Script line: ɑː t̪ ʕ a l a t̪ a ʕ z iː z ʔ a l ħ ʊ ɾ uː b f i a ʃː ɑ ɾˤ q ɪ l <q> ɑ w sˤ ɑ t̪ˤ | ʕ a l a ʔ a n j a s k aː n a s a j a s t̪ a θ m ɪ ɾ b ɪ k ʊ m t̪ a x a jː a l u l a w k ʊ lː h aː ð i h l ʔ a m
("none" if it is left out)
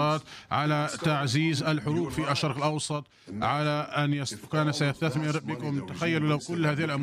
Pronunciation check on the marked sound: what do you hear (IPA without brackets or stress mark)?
ʔ